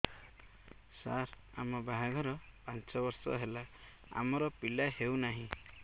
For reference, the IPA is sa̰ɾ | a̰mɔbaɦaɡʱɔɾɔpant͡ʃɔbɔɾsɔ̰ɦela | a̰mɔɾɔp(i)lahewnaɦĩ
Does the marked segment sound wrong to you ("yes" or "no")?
no